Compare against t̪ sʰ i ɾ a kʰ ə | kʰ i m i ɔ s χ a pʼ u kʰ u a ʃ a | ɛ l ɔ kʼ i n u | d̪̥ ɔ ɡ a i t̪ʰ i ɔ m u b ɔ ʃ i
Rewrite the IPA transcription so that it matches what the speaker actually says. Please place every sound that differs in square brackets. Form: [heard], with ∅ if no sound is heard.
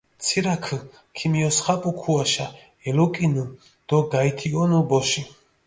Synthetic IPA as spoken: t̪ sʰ i ɾ a kʰ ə | kʰ i m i ɔ s χ a pʼ u kʰ u a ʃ a | ɛ l ɔ kʼ i n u | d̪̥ ɔ ɡ a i t̪ʰ i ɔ [n] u b ɔ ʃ i